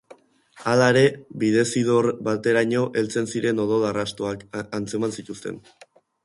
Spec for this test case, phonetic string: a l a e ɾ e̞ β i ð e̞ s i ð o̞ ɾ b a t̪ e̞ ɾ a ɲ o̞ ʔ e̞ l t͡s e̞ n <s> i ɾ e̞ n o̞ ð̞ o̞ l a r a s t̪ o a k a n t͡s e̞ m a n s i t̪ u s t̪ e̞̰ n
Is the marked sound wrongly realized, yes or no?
no